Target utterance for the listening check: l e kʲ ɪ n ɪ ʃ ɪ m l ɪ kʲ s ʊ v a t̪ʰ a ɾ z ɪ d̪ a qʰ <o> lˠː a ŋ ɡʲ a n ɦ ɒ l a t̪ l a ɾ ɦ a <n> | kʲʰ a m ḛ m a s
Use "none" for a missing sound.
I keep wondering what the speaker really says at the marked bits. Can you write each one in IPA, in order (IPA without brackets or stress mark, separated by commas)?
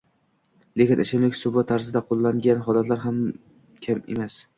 o, m